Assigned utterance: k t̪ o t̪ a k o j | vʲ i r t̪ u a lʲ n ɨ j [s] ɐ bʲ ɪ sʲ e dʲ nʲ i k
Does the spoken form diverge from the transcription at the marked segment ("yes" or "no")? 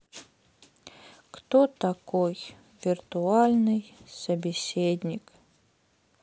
no